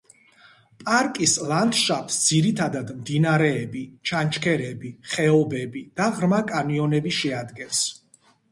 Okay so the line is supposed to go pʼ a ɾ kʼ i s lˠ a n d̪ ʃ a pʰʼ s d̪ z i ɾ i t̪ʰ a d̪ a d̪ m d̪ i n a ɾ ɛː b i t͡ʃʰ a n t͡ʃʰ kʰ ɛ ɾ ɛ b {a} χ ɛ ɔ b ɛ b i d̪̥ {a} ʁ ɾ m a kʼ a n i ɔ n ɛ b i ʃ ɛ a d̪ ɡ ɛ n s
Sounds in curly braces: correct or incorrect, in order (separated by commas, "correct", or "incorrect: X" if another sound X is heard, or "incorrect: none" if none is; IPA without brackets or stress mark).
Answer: incorrect: i, correct